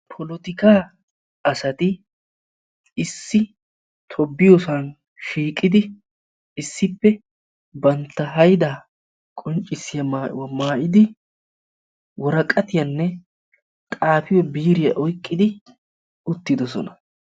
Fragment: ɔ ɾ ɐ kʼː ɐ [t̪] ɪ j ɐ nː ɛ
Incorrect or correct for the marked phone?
correct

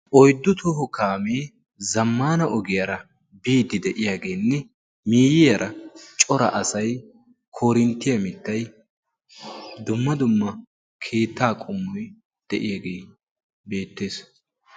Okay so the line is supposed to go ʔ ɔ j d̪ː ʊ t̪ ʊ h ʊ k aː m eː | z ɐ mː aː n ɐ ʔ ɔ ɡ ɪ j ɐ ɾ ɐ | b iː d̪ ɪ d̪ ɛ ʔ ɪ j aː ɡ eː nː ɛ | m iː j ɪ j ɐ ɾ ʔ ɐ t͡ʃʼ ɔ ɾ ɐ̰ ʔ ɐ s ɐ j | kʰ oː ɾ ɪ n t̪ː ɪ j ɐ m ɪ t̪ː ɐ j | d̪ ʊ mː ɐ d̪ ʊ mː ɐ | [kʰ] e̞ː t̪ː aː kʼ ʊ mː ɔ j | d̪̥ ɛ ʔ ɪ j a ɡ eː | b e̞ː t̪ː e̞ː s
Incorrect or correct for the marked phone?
correct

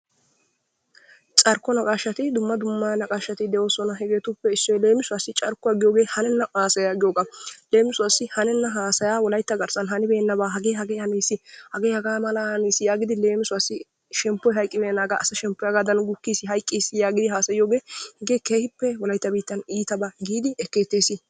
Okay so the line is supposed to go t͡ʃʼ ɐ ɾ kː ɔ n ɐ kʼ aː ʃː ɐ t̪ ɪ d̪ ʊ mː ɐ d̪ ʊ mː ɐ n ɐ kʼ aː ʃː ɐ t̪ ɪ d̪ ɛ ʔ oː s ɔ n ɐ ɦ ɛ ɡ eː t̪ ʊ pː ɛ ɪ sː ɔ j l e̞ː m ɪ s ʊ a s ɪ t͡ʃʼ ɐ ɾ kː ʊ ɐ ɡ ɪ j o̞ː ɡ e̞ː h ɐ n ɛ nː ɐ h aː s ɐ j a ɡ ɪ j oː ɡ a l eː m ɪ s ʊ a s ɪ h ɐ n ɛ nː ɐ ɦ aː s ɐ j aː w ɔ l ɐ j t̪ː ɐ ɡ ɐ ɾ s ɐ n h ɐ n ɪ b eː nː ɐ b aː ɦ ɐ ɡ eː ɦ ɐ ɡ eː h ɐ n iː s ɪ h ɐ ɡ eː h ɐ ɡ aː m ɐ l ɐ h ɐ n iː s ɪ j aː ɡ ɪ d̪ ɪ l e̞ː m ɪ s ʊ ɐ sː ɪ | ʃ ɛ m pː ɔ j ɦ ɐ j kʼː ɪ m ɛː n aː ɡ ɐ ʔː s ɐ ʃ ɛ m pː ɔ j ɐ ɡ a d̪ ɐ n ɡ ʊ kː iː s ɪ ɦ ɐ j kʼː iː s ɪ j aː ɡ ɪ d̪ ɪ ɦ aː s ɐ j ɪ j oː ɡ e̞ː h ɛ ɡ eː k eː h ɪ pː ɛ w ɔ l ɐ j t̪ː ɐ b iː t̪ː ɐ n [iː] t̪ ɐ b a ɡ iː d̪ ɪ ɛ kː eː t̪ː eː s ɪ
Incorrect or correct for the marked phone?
correct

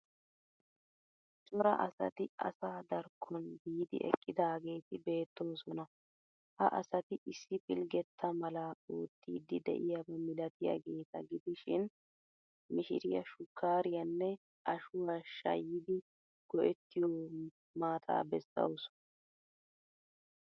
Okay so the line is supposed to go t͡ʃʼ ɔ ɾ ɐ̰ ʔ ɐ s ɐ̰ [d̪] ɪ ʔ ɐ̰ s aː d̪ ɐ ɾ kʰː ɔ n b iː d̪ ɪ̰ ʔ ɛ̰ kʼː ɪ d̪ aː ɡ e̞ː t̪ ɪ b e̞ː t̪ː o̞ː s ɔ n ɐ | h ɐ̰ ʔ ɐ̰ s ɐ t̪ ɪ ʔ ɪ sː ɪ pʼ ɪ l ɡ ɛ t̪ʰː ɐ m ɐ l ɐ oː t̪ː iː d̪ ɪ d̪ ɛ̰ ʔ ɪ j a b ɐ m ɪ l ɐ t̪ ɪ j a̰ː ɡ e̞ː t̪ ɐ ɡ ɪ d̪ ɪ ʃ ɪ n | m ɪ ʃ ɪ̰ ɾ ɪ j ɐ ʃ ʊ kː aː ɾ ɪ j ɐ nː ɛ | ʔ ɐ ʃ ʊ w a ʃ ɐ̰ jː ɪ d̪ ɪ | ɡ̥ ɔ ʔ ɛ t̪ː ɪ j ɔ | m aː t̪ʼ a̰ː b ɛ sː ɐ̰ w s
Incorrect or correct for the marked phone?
incorrect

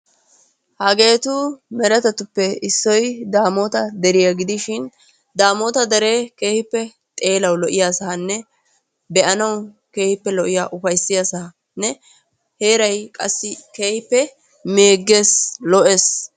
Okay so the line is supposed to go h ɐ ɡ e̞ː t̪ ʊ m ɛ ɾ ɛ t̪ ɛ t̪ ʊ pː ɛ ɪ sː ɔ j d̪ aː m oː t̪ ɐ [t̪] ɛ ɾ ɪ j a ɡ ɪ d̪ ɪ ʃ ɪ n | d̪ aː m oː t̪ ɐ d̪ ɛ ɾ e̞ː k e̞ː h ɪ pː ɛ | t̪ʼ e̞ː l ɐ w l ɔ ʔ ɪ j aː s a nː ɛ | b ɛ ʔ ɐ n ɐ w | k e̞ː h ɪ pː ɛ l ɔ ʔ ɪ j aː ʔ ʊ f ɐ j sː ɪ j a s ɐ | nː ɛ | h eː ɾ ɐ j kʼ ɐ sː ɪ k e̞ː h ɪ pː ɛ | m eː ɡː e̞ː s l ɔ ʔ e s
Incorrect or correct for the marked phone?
incorrect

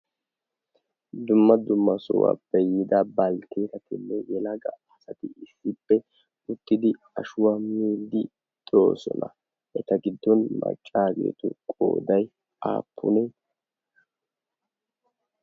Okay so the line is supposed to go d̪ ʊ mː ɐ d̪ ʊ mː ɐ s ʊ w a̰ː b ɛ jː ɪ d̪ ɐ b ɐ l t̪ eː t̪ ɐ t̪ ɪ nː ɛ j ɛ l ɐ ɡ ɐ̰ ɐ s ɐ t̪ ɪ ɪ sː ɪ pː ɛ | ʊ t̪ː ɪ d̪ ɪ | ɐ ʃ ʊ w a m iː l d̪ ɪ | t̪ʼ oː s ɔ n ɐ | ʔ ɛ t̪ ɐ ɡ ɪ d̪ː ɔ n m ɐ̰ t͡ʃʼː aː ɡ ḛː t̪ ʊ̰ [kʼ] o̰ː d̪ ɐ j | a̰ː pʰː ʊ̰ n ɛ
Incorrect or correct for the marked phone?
correct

